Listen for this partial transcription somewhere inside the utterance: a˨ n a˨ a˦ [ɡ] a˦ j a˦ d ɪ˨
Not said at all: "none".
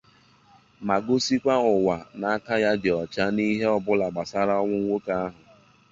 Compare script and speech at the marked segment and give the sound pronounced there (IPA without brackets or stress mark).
k